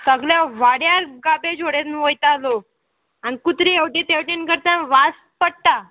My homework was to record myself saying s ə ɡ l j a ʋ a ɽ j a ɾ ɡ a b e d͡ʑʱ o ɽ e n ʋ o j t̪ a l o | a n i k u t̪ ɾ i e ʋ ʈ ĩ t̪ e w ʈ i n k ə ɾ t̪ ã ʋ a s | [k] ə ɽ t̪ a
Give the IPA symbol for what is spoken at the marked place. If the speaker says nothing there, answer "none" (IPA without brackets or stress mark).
p